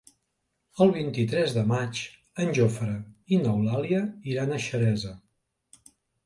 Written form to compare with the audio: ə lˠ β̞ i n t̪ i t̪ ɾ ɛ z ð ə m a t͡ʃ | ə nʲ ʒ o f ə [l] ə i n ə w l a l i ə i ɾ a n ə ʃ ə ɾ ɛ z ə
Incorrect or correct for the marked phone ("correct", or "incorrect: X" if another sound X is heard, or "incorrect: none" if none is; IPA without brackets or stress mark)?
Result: incorrect: ɾ